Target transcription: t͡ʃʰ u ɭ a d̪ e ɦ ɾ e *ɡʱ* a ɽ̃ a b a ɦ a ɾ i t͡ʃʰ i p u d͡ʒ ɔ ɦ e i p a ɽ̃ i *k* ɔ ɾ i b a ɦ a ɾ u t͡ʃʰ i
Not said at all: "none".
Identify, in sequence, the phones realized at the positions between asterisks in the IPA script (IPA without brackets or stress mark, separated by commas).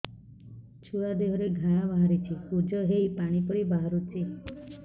ɡʱ, p